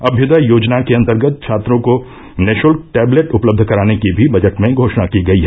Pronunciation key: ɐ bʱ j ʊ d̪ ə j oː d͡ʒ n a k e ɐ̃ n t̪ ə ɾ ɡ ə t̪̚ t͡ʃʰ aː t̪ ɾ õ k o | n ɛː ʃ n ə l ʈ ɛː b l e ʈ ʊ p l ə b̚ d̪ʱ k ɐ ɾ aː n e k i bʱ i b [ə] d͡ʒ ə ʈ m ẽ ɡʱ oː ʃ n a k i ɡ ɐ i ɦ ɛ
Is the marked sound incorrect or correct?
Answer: incorrect